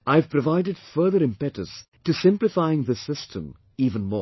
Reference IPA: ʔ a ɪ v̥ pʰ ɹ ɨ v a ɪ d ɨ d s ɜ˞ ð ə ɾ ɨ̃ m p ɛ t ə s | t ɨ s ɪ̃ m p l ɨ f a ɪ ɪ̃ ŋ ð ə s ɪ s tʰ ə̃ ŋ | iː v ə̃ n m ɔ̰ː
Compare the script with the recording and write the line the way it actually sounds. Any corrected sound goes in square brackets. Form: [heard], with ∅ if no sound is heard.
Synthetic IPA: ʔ a ɪ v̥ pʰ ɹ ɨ v a ɪ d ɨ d [f] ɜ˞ ð ə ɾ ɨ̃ m p ɛ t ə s | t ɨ s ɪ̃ m p l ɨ f a ɪ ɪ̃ ŋ ð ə s ɪ s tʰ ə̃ [m] | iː v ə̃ n m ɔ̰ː